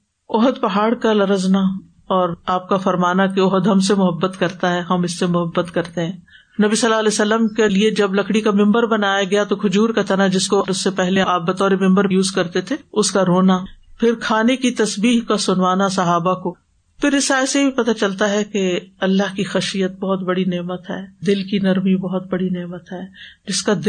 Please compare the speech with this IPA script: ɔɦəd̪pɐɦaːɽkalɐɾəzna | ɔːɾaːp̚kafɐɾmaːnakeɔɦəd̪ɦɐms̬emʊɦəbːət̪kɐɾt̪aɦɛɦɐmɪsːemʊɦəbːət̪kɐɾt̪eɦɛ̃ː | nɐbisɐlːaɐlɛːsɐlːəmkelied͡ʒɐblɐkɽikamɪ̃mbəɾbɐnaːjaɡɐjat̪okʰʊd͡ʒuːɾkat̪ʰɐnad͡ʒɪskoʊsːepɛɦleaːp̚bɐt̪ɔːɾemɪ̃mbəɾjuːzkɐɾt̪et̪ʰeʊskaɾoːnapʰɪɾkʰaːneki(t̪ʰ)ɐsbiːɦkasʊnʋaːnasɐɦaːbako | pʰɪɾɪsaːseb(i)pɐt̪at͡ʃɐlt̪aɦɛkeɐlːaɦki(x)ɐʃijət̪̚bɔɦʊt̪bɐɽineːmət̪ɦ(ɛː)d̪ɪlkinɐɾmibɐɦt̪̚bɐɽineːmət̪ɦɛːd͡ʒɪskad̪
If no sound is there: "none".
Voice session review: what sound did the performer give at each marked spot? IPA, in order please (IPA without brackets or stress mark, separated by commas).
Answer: t̪, i, x, ɛː